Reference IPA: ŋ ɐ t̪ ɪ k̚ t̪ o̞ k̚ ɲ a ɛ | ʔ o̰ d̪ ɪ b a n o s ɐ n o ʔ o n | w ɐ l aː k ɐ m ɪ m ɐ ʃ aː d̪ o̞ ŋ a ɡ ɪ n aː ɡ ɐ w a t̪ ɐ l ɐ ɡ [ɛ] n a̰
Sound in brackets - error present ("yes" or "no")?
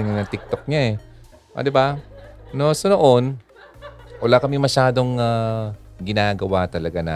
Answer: yes